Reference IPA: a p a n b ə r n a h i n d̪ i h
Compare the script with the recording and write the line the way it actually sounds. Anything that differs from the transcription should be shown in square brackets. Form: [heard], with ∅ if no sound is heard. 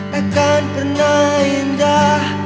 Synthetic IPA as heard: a [k] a n [p] ə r n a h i n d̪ [a] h